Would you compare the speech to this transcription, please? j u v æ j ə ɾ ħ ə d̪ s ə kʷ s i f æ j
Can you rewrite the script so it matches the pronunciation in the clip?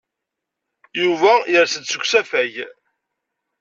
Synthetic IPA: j u v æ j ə ɾ s ə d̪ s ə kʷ s æ f æ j